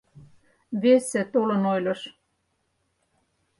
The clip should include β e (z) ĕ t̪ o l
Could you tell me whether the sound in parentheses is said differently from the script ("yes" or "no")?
yes